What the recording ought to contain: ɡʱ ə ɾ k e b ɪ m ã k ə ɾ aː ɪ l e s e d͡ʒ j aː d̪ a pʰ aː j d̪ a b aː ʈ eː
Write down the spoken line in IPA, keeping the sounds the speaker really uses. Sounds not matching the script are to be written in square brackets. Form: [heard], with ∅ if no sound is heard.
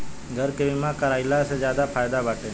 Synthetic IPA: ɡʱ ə ɾ k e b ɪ m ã k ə ɾ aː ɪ l [a] s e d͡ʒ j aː d̪ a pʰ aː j d̪ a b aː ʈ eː